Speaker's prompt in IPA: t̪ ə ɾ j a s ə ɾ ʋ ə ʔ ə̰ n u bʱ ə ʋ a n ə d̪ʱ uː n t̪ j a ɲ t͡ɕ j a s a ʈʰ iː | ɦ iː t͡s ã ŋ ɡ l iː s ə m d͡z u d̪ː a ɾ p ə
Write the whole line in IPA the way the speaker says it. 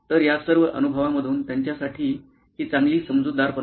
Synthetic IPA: t̪ ə ɾ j a s ə ɾ ʋ ə ʔ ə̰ n u bʱ ə ʋ a m ə d̪ʱ uː n t̪ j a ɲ t͡ɕ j a s a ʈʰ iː | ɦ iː t͡s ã ŋ ɡ l iː s ə m d͡z u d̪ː a ɾ p ə